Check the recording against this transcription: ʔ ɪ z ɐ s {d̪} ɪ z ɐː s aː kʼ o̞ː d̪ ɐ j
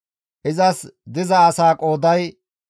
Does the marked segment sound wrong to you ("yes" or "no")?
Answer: no